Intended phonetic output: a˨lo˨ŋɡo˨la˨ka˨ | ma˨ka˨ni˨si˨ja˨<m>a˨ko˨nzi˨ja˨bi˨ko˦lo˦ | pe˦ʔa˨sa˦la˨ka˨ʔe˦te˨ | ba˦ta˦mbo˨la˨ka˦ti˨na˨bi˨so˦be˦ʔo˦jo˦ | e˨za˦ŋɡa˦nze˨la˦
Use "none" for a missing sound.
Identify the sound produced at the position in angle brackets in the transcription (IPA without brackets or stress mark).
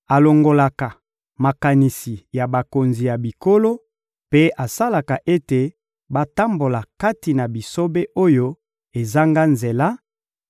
b